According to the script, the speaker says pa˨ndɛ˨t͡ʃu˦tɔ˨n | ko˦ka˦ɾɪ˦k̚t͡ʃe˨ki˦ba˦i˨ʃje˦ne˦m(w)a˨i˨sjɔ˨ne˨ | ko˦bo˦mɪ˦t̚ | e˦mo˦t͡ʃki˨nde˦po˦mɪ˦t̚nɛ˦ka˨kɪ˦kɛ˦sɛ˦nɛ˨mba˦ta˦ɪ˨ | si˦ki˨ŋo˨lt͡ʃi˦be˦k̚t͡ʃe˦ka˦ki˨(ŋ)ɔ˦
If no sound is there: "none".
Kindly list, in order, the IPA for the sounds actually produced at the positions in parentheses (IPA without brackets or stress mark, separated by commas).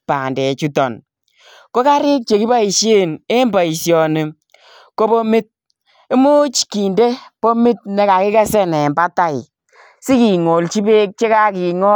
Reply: b, ŋ